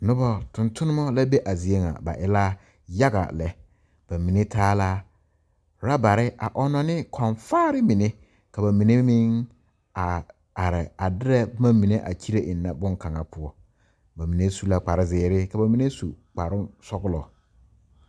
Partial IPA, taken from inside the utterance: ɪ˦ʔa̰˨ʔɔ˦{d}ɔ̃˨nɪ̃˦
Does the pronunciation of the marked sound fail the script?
yes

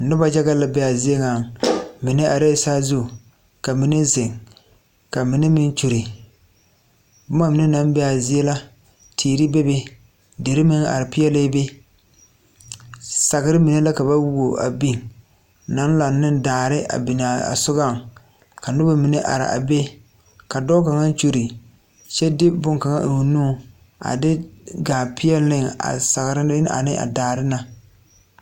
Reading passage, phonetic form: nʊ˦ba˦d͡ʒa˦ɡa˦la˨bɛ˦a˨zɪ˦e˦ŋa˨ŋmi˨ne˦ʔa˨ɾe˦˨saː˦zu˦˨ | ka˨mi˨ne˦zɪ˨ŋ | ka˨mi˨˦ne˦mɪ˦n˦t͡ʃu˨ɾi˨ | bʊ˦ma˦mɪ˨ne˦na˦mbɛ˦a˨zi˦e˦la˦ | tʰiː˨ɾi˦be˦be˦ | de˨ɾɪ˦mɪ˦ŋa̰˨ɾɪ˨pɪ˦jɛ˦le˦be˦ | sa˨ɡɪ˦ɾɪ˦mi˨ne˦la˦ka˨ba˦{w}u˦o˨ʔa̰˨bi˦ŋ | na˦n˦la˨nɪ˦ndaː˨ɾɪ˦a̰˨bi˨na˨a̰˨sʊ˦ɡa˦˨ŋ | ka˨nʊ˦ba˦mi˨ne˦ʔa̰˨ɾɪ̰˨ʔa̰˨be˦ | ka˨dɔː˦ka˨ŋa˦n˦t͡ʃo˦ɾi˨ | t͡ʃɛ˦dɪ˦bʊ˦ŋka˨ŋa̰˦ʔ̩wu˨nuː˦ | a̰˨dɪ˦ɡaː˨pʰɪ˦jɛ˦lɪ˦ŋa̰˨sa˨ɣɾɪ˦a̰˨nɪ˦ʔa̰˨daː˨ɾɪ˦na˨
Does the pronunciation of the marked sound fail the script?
no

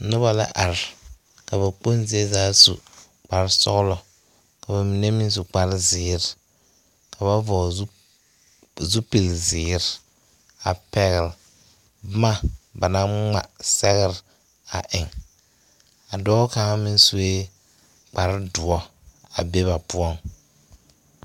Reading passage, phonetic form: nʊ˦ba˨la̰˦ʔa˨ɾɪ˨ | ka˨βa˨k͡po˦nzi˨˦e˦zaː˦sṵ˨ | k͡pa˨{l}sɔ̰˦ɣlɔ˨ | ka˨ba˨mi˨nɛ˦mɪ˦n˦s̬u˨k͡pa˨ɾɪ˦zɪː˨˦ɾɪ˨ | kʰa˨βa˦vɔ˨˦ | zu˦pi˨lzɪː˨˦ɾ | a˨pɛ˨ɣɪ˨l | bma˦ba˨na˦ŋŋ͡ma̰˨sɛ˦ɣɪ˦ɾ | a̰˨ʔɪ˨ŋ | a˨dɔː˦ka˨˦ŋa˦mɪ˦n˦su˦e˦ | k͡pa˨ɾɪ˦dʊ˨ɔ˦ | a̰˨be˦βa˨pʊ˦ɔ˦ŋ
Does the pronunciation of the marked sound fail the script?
yes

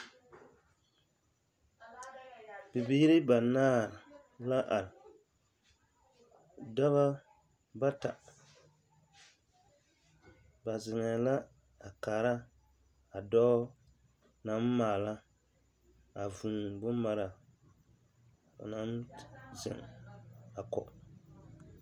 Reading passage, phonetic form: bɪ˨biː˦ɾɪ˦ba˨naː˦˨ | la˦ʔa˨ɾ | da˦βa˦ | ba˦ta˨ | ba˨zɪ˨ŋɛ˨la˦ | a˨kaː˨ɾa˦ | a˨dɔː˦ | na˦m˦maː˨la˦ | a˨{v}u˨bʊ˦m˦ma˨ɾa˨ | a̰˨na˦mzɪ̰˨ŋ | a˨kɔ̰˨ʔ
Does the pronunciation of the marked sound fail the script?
no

